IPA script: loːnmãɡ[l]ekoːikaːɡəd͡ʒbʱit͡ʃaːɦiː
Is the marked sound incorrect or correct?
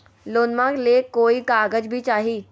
correct